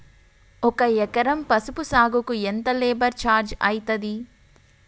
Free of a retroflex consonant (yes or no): yes